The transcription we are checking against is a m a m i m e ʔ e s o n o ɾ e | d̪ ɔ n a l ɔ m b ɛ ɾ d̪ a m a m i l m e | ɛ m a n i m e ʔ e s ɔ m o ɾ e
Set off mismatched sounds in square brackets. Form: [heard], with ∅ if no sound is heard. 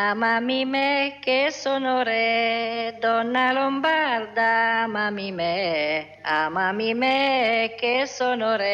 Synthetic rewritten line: a m a m i m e [k] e s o n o ɾ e | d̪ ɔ n a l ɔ m b [a] ɾ d̪ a m a m i [∅] m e | [a] m a [m] i m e [k] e s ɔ [n] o ɾ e